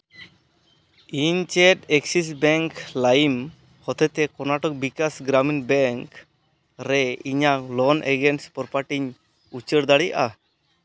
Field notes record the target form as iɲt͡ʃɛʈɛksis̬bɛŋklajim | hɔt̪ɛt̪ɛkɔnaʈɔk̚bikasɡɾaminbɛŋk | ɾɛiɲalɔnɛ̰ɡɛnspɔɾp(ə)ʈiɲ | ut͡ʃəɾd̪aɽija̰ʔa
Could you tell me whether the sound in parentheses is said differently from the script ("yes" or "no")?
yes